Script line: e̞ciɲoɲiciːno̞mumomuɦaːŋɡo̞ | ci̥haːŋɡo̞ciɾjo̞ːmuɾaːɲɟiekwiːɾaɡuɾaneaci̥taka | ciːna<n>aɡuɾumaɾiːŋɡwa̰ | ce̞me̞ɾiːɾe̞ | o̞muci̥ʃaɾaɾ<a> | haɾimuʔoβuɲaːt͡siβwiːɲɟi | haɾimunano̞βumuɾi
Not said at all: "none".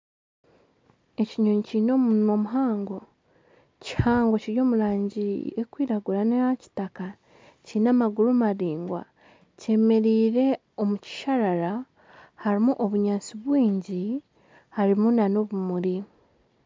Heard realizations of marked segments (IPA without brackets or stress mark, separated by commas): m, a